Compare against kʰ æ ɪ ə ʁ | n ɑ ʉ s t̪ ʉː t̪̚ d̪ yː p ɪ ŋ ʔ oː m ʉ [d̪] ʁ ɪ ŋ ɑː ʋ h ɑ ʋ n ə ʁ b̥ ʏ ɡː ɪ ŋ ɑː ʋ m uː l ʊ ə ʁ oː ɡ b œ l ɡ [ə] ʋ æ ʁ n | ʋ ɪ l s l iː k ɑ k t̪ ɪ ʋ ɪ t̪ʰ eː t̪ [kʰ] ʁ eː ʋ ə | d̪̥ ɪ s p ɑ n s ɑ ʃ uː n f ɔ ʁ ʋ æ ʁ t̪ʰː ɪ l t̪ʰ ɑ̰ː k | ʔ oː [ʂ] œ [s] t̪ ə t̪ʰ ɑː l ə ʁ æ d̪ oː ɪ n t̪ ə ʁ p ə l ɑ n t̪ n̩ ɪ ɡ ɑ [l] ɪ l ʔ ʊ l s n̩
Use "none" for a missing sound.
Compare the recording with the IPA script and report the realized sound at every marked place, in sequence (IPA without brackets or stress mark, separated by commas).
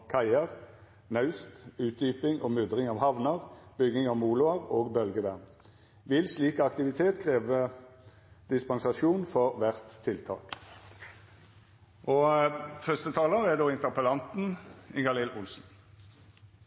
d̪, ə, kʰ, f, s, l